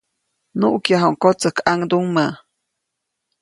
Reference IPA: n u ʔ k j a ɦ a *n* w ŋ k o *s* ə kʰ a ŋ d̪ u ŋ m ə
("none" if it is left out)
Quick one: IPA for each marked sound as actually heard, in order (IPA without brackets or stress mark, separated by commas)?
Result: none, t͡s